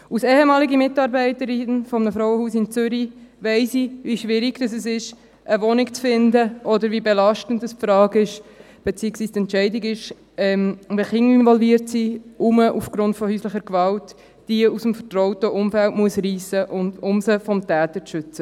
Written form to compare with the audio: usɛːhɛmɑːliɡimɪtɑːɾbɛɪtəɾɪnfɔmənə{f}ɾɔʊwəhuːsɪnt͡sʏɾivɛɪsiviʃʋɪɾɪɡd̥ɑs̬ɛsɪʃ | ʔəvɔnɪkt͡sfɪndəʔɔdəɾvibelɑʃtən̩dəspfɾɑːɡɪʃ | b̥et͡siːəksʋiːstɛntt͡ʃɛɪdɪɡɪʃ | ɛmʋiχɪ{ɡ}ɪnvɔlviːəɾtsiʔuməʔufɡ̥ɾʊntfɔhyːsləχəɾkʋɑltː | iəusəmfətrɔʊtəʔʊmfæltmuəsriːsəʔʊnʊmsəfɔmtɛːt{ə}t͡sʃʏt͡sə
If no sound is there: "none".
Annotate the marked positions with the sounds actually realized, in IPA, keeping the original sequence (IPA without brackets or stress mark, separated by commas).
f, ŋ, ə